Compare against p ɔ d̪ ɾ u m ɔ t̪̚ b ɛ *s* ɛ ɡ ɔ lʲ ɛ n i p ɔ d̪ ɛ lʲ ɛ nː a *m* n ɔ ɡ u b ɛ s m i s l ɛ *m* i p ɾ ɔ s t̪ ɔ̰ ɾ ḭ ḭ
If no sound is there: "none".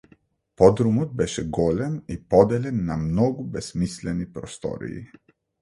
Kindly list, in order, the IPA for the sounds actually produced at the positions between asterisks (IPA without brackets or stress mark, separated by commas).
ʃ, m, n